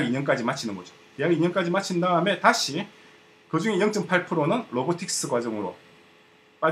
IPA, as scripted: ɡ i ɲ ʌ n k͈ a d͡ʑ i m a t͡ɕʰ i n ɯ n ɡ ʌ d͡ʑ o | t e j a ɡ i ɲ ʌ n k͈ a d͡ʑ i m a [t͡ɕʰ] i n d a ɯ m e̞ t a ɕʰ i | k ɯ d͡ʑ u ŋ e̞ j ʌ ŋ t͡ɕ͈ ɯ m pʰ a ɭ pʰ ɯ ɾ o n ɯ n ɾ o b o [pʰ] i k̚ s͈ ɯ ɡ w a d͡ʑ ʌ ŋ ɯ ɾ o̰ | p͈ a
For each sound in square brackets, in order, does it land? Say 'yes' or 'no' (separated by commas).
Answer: yes, no